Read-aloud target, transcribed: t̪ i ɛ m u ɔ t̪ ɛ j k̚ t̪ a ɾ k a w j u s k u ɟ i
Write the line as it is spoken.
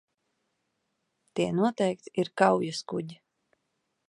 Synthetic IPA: t̪ i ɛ n u ɔ t̪ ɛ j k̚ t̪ i ɾ k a w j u s k u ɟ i